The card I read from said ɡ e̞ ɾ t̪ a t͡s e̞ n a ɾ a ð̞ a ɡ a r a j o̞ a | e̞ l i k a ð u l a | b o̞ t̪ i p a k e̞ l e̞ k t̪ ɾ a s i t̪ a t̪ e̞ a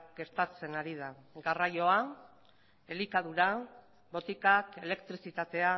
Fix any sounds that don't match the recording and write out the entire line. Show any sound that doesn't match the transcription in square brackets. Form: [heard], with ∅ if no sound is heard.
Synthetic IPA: ɡ e̞ ɾ t̪ a t͡s e̞ n a ɾ [i] ð̞ a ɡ a r a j o̞ a | e̞ l i k a ð u [ɾ] a | b o̞ t̪ i [k] a k e̞ l e̞ k t̪ ɾ [i] s i t̪ a t̪ e̞ a